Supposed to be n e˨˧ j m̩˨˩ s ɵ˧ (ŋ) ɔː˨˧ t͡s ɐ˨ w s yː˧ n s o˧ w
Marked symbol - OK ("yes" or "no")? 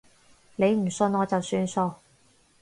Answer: no